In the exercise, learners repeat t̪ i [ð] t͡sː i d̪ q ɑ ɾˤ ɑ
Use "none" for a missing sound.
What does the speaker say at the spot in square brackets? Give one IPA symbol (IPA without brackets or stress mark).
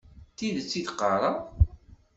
ð